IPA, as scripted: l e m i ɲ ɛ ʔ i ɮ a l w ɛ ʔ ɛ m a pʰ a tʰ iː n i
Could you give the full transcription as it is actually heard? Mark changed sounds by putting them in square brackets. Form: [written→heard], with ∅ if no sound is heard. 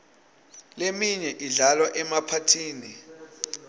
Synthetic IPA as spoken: l e m i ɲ ɛ ʔ i ɮ a l w [ɛ→a] ʔ ɛ m a pʰ a tʰ iː n i

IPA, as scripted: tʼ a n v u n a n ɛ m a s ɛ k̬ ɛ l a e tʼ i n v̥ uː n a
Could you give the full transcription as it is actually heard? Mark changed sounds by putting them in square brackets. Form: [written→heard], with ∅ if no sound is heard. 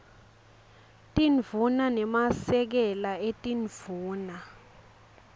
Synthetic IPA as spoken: tʼ [a→i] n v u n a n ɛ m a s ɛ k̬ ɛ l a e tʼ i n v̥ uː n a

